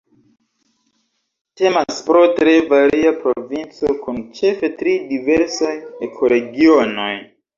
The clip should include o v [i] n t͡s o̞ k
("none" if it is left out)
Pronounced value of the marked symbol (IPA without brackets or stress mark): i